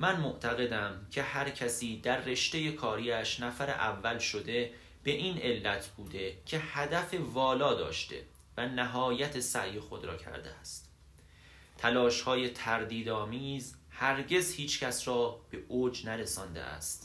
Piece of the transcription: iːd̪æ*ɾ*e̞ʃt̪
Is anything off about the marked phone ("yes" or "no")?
yes